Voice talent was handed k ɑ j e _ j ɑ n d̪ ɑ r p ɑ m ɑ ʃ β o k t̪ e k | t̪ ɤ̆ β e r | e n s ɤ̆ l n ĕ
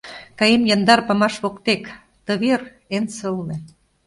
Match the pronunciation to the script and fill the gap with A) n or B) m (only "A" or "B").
B